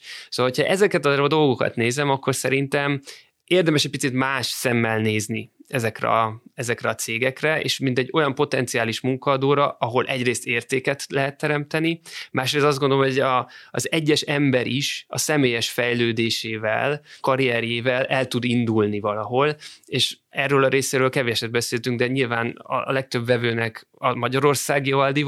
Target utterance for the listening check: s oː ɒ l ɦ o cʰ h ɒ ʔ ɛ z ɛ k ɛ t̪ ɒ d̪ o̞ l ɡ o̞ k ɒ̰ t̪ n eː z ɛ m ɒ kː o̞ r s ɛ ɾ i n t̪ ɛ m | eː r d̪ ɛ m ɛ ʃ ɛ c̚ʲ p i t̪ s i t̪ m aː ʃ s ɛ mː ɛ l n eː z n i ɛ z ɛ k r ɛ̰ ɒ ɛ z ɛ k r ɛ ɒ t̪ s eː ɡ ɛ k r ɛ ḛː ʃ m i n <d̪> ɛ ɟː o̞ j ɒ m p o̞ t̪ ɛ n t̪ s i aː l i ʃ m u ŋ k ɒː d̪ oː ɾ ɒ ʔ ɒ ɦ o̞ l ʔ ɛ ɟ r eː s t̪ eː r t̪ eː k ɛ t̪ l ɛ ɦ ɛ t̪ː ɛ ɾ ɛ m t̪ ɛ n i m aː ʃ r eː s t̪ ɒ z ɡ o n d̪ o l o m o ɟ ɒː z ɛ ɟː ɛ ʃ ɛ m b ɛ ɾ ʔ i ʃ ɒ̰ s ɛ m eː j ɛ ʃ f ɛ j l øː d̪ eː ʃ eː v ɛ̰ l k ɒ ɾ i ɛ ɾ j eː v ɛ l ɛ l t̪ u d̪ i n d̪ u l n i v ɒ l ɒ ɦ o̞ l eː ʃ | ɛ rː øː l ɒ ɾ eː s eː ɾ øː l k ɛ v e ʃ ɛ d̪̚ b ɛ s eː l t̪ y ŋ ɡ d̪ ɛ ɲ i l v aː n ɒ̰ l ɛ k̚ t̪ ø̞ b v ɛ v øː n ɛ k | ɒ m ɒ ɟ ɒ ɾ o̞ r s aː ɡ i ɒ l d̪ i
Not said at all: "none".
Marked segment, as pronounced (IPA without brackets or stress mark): t̪